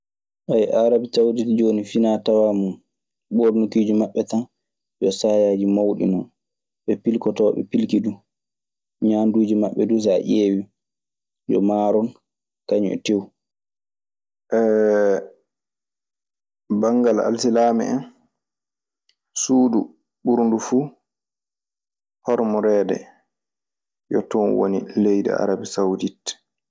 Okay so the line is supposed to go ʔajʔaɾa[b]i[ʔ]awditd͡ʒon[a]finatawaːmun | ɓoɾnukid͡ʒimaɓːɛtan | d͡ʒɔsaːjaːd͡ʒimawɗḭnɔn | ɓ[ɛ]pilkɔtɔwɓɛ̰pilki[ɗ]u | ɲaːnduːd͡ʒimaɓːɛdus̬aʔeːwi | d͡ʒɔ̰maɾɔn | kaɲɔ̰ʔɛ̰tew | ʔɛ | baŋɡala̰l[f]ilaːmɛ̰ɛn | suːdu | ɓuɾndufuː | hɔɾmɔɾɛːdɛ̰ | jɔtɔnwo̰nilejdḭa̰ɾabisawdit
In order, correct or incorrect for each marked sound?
correct, incorrect: t, incorrect: i, correct, incorrect: d, incorrect: s

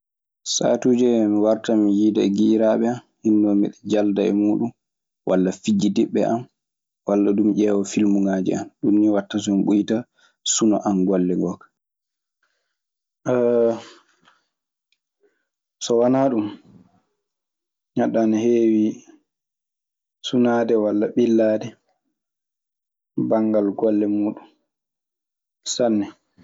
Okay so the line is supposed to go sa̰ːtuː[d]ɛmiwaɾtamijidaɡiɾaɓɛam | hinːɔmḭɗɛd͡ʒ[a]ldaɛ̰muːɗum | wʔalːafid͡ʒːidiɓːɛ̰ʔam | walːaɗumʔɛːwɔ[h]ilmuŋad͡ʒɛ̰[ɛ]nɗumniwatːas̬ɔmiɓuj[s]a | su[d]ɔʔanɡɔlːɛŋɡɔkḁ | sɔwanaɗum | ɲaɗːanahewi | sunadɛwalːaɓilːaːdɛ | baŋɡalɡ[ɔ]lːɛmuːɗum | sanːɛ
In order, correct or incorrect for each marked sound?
incorrect: d͡ʒ, correct, incorrect: f, incorrect: a, incorrect: t, incorrect: n, correct

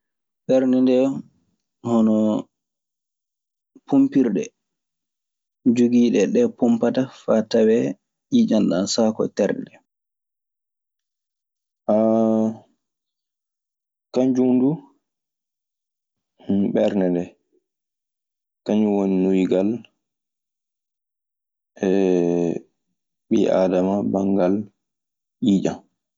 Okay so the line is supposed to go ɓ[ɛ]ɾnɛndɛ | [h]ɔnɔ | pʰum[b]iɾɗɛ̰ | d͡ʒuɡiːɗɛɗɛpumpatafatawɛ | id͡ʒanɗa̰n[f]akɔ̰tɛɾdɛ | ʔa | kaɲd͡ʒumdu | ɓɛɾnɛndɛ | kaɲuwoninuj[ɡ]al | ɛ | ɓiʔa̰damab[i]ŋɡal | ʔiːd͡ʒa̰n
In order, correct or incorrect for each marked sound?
correct, correct, incorrect: p, incorrect: s, correct, incorrect: a

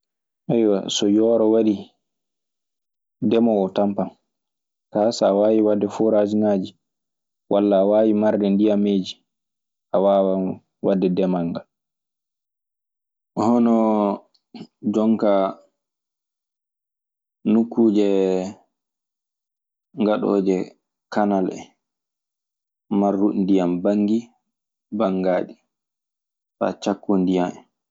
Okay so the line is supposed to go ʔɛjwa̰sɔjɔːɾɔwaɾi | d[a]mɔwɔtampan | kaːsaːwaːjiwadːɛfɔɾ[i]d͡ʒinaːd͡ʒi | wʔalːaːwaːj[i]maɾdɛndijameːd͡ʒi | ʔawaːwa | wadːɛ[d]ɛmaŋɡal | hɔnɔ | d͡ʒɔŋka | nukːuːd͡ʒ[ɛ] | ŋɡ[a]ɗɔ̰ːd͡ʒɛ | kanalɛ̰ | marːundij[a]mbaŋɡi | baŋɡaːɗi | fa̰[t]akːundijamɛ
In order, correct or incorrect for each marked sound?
incorrect: ɛ, incorrect: a, correct, correct, correct, correct, correct, incorrect: t͡ʃ

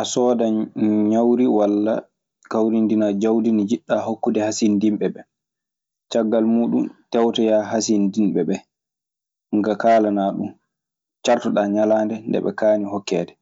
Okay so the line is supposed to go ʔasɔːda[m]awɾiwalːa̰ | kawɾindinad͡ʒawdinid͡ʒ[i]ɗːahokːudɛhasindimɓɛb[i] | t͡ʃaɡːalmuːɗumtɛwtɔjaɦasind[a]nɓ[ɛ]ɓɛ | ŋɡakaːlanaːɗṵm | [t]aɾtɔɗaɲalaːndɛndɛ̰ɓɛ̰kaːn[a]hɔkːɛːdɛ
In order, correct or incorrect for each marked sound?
incorrect: ɲ, correct, incorrect: ɛ, incorrect: i, correct, incorrect: t͡ʃ, incorrect: i

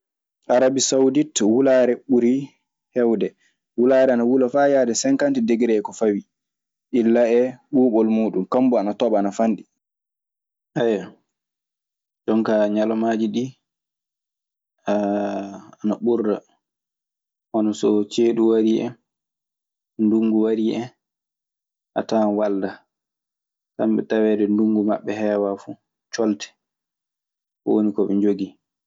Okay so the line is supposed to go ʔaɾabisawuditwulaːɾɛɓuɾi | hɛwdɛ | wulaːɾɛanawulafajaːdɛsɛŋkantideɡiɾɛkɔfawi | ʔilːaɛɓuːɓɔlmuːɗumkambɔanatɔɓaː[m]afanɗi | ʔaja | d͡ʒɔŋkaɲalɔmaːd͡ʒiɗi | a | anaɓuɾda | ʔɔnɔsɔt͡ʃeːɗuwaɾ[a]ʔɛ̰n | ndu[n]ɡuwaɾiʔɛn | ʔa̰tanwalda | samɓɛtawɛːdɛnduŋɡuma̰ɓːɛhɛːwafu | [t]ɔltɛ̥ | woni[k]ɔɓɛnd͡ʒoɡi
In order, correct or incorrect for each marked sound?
incorrect: n, incorrect: i, incorrect: ŋ, incorrect: t͡ʃ, correct

